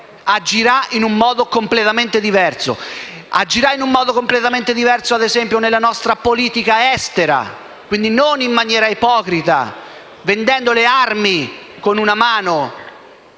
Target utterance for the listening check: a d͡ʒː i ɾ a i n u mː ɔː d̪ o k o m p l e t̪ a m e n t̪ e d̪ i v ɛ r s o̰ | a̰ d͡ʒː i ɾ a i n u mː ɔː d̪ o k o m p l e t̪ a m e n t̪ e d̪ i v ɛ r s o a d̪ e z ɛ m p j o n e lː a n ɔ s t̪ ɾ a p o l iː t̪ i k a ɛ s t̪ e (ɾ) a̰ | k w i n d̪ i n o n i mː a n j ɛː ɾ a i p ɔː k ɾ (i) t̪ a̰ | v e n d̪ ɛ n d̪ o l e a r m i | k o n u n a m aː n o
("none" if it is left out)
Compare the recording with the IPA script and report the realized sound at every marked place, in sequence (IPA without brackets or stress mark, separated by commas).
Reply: ɾ, i